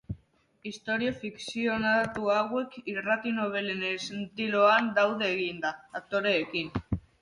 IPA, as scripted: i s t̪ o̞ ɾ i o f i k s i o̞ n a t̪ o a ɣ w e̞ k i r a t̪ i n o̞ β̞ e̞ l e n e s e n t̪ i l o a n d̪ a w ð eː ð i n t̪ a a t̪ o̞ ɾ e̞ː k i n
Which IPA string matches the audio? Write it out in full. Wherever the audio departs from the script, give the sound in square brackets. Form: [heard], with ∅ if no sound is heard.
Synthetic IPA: i s t̪ o̞ ɾ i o f i k s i o̞ n a t̪ [u] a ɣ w e̞ k i r a t̪ i n o̞ β̞ e̞ l e n e s e n t̪ i l o a n d̪ a w ð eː [ɣ] i n [d̪] a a t̪ o̞ ɾ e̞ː k i n